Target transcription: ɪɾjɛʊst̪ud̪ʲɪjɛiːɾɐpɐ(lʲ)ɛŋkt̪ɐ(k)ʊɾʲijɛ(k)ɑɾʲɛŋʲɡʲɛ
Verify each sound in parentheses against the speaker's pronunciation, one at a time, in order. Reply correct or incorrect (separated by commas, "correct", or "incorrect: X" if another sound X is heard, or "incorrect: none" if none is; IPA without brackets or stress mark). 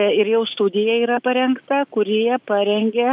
incorrect: ɾʲ, correct, incorrect: p